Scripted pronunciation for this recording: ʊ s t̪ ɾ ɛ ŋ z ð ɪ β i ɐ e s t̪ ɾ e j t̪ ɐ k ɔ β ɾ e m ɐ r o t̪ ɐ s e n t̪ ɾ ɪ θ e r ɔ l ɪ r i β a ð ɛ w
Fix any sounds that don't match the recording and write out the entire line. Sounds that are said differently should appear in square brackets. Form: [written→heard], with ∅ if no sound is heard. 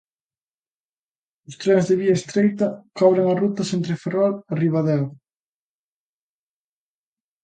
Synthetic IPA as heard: ʊ s t̪ ɾ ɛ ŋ z ð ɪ β i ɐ e s t̪ ɾ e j t̪ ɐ k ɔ β ɾ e [m→ŋ] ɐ r [o→u] t̪ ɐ s e n t̪ ɾ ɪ [θ→f] e r ɔ l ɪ r i β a ð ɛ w